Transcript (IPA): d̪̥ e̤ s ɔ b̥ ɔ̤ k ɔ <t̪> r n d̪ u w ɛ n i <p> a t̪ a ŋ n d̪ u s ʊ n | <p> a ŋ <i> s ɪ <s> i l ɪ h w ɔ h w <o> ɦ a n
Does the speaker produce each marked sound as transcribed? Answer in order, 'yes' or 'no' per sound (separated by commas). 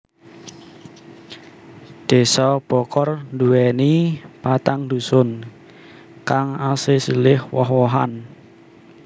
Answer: no, yes, no, no, yes, no